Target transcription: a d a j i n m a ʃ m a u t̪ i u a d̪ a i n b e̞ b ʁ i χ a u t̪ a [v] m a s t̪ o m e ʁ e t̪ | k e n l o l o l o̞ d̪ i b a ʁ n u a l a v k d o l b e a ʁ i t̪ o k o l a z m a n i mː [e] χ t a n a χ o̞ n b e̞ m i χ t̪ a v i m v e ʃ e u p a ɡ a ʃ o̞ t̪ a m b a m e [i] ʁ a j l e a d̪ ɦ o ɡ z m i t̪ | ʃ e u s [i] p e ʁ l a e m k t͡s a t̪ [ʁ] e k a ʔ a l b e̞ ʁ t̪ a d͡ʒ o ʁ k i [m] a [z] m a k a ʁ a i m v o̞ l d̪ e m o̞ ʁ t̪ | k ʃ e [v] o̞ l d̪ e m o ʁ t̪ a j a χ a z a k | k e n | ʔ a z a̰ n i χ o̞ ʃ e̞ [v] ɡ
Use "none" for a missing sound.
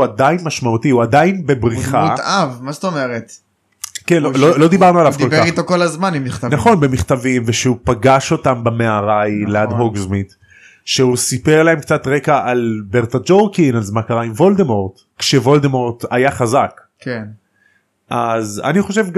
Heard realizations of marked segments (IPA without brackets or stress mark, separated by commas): v, i, a, i, ʁ, n, z, v, v